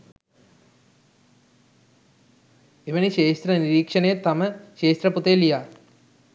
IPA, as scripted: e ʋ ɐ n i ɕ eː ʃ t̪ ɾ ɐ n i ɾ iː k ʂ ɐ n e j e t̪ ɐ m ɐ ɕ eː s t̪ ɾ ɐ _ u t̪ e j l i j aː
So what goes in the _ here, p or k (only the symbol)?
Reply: p